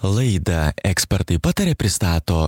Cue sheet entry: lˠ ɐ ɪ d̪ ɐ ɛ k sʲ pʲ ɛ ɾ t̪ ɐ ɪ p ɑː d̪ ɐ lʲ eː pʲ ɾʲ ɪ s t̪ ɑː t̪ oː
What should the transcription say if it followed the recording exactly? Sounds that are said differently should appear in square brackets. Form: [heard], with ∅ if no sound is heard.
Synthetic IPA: lˠ ɐ ɪ d̪ ɐ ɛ k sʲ pʲ ɛ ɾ t̪ ɐ ɪ p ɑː [t̪] ɐ [ɾʲ] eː pʲ ɾʲ ɪ s t̪ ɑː t̪ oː